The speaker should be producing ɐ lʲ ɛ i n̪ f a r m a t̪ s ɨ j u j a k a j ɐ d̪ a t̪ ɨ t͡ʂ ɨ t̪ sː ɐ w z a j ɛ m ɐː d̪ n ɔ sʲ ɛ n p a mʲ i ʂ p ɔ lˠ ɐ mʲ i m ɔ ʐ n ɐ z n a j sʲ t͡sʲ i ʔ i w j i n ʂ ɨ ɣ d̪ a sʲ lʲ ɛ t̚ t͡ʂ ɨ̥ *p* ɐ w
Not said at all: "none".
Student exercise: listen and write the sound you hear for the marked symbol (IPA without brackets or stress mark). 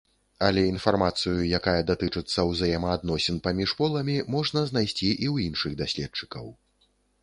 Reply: k